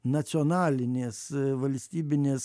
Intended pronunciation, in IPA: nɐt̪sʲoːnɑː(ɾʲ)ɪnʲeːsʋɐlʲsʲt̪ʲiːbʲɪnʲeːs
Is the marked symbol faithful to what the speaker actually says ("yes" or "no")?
no